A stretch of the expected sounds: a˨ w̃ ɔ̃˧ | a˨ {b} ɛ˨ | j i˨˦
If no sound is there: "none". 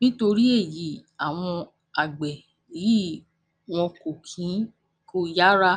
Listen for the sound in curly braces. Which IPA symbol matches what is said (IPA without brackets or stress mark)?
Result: ɡ͡b